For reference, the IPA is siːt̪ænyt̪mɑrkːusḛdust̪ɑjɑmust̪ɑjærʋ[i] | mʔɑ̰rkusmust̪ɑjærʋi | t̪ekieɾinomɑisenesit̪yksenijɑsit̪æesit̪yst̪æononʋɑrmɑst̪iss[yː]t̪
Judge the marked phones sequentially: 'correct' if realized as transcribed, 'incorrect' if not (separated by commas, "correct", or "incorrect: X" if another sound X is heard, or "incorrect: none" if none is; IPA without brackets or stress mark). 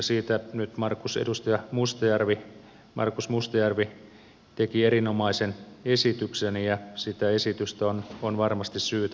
correct, correct